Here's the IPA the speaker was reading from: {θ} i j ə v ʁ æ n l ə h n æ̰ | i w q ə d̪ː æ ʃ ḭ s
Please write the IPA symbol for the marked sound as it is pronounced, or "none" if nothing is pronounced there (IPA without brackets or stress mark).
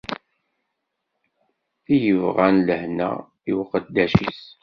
θ